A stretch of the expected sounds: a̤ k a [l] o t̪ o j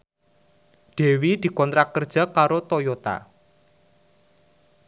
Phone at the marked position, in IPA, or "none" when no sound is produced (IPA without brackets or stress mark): ɾ